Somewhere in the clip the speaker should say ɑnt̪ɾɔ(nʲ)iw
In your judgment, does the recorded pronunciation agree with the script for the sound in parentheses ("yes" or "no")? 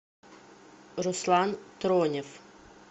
yes